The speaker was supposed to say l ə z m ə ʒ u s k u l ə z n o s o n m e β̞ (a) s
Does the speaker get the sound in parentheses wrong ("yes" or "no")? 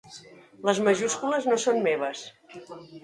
yes